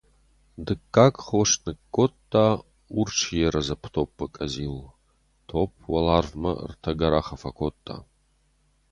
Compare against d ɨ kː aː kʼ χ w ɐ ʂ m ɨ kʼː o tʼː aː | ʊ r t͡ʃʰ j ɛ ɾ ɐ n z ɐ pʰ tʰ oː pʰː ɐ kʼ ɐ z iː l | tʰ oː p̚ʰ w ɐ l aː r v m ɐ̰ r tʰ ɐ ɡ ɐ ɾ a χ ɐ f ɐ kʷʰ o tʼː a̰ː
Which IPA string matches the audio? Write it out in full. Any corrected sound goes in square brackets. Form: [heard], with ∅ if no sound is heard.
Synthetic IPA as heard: d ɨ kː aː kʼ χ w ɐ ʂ [n] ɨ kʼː o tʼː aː | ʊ r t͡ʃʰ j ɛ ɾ ɐ [∅] z ɐ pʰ tʰ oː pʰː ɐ kʼ ɐ z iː l | tʰ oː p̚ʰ w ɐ l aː r v m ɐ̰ r tʰ ɐ ɡ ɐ ɾ a χ ɐ f ɐ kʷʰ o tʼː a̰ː